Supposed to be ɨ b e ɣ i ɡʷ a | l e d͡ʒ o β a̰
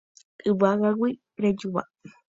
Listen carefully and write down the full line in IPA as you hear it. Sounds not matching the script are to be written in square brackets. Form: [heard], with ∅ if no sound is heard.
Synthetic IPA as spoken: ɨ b [a] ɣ [a] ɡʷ [i] | [ɾ] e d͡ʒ [u] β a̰